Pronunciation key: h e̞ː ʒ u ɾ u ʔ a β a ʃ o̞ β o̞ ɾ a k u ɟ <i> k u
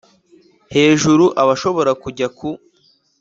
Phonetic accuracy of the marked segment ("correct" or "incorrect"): incorrect